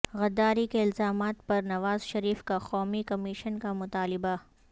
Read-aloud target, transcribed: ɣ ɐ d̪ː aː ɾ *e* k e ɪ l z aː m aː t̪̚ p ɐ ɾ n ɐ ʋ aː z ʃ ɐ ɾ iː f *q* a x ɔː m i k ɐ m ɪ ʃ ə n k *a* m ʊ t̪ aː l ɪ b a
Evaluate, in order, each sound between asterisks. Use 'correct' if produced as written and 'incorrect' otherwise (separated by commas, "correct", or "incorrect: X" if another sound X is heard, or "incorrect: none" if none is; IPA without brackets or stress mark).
incorrect: i, incorrect: k, correct